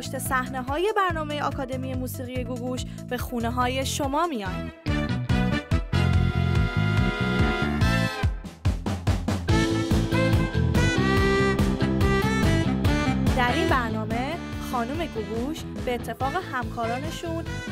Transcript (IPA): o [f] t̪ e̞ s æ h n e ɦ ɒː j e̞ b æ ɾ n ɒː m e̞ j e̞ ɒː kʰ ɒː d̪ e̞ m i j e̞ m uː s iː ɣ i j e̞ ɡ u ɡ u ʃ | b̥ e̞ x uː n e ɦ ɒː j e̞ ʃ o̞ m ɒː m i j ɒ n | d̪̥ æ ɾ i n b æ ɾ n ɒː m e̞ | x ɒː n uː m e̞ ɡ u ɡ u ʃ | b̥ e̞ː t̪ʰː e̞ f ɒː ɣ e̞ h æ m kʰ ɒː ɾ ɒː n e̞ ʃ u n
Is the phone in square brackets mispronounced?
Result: yes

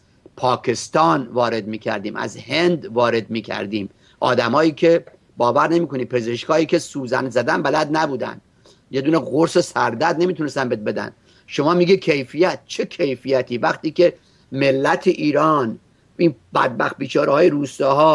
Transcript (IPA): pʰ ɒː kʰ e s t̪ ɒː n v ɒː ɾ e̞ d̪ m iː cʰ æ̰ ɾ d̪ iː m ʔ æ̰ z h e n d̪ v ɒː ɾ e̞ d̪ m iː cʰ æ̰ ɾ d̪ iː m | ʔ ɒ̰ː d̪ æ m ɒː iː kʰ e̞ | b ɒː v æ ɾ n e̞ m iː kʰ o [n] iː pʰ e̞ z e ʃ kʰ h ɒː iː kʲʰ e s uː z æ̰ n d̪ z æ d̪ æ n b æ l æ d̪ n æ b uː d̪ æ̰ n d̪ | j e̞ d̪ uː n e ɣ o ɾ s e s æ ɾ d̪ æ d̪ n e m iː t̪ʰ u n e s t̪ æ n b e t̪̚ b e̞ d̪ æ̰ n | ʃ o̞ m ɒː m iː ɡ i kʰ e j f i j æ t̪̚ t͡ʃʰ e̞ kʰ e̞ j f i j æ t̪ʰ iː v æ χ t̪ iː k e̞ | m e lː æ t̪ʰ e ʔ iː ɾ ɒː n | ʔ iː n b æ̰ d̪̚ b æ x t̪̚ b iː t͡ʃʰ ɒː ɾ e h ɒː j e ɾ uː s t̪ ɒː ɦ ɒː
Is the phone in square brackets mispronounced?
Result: no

